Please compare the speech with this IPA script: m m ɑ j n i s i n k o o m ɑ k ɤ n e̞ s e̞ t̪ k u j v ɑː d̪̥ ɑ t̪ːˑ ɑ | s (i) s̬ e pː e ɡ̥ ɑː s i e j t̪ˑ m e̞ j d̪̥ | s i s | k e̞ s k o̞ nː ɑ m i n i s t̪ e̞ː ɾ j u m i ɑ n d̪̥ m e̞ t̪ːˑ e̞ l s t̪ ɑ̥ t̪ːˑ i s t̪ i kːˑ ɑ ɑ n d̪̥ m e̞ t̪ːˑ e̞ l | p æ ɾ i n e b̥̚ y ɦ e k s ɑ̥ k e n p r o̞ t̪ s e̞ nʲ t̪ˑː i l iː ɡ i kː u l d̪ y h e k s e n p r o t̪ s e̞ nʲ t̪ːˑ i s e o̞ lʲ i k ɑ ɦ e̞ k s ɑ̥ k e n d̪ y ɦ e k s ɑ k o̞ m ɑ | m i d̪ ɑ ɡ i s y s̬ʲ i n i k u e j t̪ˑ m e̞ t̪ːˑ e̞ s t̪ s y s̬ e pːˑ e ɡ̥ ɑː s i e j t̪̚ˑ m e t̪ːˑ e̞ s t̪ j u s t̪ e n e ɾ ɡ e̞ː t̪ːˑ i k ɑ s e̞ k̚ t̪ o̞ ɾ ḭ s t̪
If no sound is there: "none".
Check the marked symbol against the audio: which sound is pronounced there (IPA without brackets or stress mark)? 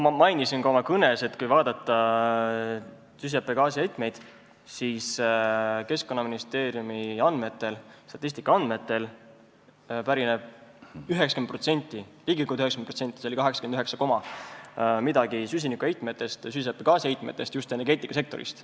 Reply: y